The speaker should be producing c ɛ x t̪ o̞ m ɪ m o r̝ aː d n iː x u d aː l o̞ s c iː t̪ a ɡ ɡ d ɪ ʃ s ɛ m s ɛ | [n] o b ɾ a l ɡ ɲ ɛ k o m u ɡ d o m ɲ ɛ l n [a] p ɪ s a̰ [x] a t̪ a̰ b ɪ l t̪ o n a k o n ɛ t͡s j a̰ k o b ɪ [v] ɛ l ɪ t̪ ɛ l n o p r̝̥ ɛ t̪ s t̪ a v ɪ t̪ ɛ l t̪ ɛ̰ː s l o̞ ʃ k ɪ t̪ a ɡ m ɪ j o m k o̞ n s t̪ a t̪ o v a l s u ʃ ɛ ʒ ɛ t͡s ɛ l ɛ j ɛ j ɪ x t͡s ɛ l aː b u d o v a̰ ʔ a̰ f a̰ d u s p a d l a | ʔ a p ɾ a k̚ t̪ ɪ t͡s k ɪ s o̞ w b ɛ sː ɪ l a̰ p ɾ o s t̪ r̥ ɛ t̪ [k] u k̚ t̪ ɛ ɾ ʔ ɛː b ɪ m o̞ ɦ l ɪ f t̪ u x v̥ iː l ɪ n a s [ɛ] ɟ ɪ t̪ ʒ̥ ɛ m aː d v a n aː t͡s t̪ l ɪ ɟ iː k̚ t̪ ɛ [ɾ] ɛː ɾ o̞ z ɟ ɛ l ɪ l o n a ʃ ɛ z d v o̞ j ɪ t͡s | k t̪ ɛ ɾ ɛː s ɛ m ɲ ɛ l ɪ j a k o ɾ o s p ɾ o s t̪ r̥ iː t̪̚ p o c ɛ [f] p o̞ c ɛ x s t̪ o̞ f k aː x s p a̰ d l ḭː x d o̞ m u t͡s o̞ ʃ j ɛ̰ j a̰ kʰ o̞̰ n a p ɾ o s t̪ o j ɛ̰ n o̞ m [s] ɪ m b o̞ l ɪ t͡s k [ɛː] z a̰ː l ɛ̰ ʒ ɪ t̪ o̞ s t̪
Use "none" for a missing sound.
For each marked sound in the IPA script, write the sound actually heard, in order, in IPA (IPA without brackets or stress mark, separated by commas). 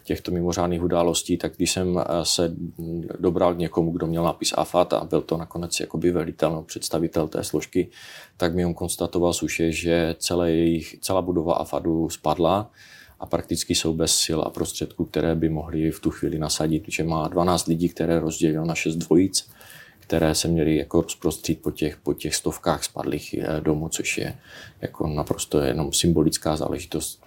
d, a, f, v, k, a, ɾ, x, s, aː